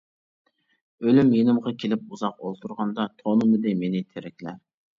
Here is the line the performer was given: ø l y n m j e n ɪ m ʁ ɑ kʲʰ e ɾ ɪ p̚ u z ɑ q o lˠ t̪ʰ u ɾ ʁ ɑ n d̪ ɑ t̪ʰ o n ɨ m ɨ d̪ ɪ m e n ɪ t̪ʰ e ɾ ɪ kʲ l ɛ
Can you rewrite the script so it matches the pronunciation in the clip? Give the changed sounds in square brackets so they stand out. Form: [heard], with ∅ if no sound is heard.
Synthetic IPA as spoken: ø l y [∅] m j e n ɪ m ʁ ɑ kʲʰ e [l] ɪ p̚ u z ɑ q o lˠ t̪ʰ u ɾ ʁ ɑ n d̪ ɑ t̪ʰ o n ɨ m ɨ d̪ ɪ m e n ɪ t̪ʰ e ɾ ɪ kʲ l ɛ

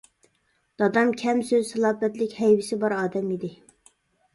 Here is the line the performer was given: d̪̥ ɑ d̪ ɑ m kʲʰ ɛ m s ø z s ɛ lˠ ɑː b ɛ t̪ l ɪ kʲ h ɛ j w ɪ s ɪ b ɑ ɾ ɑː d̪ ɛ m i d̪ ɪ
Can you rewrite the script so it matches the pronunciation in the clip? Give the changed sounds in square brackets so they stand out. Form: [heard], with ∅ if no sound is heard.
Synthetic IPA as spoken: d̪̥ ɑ d̪ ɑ m kʲʰ ɛ m s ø z s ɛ lˠ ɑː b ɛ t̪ l ɪ kʲ h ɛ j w ɪ s ɪ b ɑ ɾ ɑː d̪ ɛ m i d̪ ɪ

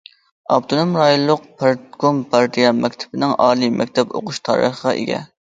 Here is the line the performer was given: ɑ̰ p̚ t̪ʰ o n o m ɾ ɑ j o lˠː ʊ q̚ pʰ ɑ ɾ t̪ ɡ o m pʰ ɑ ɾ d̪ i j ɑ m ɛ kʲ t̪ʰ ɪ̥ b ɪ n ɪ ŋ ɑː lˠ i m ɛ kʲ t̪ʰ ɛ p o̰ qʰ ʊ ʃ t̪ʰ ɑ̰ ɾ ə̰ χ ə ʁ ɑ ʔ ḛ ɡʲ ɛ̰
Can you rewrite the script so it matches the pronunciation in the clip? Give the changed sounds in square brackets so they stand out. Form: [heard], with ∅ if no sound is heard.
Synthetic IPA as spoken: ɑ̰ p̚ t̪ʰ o n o m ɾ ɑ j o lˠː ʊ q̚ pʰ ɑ ɾ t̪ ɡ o m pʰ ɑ ɾ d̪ i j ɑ m ɛ kʲ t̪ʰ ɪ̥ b ɪ n ɪ ŋ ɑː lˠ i m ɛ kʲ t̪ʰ ɛ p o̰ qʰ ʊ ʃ t̪ʰ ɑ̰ ɾ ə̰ χ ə ʁ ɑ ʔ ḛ ɡʲ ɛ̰

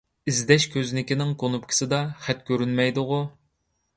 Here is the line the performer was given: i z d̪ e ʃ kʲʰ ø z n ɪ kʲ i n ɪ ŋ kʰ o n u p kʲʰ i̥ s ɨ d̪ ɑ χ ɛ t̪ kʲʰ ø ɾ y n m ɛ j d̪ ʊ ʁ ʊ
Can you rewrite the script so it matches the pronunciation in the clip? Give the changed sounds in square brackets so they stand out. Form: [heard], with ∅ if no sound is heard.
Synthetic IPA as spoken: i z d̪ [ɛ] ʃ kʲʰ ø z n ɪ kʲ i n ɪ ŋ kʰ o n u p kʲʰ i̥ s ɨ d̪ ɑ χ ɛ t̪ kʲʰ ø ɾ y n m ɛ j d̪ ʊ ʁ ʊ

